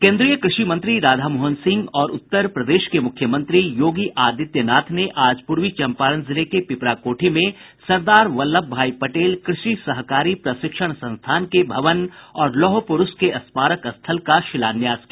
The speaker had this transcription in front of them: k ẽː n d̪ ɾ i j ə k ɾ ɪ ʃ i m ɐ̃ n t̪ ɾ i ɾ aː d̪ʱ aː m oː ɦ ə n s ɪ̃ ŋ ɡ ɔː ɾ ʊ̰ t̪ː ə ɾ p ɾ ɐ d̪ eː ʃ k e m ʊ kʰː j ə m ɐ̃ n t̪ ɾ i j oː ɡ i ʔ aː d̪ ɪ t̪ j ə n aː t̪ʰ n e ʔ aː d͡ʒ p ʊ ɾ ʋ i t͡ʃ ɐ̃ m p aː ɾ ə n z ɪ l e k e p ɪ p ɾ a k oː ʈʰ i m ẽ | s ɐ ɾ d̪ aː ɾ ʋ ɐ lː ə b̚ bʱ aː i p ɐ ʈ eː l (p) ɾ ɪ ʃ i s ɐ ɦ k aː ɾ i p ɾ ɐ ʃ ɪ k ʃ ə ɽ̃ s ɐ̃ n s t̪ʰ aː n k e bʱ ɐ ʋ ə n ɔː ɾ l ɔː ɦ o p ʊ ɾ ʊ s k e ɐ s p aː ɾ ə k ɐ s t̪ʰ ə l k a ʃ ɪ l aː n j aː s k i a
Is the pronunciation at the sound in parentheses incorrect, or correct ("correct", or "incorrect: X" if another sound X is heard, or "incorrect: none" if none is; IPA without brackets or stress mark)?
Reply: incorrect: k